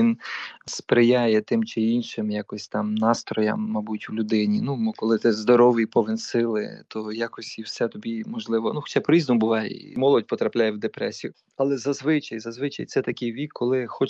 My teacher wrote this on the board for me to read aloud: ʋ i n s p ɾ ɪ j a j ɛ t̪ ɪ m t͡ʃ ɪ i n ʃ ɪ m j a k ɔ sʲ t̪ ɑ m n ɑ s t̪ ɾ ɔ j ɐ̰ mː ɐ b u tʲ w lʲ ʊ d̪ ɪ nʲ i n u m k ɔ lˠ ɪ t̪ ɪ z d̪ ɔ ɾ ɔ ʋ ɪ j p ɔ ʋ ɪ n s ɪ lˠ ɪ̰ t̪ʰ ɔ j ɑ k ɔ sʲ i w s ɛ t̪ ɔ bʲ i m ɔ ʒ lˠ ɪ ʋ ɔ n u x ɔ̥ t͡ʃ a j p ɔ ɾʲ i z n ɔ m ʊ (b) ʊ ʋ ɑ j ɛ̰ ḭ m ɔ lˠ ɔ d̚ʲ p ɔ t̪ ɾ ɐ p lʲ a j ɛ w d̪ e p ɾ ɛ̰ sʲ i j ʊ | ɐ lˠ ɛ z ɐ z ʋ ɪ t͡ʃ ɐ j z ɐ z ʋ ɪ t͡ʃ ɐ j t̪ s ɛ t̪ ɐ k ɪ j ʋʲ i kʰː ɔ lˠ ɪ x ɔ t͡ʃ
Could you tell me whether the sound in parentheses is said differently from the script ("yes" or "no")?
no